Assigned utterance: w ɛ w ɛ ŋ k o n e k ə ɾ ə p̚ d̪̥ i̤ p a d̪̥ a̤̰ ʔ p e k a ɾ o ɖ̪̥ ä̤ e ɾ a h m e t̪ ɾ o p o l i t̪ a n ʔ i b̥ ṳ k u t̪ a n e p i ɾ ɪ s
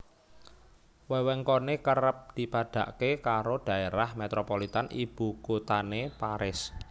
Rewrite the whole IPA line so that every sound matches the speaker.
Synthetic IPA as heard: w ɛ w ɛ ŋ k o n e k ə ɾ ə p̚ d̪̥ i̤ p a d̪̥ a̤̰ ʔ k e k a ɾ o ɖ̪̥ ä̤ e ɾ a h m e t̪ ɾ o p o l i t̪ a n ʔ i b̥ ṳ k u t̪ a n e p a ɾ ɪ s